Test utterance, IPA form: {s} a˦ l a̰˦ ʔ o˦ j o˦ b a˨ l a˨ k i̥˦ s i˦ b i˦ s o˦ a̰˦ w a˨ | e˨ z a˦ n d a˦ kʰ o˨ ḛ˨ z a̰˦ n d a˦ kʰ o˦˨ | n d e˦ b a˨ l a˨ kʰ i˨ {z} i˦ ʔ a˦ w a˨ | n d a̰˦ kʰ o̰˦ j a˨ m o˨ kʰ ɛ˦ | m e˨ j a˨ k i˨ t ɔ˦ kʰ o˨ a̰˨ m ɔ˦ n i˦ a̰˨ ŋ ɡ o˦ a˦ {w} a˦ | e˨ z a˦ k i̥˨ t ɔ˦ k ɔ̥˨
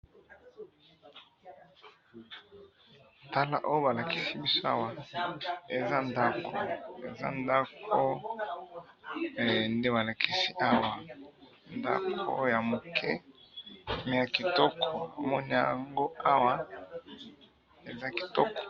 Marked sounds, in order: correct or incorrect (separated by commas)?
incorrect, incorrect, correct